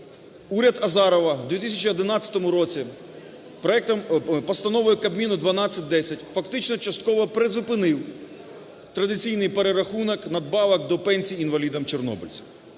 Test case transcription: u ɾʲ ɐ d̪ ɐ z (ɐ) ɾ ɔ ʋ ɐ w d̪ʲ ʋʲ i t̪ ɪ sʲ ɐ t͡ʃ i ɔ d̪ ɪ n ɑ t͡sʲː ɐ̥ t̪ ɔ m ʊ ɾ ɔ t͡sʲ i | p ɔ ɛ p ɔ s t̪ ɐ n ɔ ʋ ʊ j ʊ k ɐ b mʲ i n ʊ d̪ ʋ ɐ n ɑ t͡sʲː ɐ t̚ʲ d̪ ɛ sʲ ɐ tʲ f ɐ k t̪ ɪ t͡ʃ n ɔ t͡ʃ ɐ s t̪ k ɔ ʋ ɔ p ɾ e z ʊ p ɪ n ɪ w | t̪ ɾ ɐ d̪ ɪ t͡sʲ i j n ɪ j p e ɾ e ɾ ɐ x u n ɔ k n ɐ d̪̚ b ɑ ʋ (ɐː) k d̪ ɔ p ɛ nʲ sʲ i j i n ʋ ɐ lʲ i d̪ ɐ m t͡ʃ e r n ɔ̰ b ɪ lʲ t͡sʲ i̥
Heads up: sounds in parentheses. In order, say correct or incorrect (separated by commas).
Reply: incorrect, incorrect